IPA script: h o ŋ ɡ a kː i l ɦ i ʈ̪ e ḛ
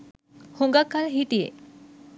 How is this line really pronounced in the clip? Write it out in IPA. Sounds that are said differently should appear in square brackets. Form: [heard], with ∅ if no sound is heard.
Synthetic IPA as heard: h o ŋ ɡ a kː [a] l ɦ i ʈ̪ [i] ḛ